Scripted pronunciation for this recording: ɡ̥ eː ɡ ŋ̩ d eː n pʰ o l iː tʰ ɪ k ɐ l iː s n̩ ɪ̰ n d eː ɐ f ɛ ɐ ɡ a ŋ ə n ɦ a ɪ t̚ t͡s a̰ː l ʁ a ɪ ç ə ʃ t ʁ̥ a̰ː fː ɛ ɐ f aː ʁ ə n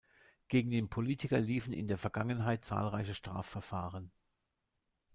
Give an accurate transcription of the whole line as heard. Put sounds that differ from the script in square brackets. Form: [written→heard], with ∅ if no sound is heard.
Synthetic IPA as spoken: ɡ̥ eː ɡ ŋ̩ d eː n pʰ o l iː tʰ ɪ k ɐ l iː [s→f] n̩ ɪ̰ n d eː ɐ f ɛ ɐ ɡ a ŋ ə n ɦ a ɪ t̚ t͡s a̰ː l ʁ a ɪ ç ə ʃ t ʁ̥ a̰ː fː ɛ ɐ f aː ʁ ə n